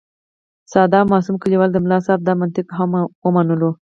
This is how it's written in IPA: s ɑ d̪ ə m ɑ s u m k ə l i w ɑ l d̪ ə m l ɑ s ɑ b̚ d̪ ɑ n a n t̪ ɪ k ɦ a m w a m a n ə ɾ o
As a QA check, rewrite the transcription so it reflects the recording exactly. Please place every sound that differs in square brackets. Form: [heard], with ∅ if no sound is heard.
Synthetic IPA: s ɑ d̪ [ɑ] m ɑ s u m k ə l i w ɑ l d̪ ə m l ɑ s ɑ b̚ d̪ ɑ [m] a n t̪ ɪ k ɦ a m w [ə] m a n ə [l] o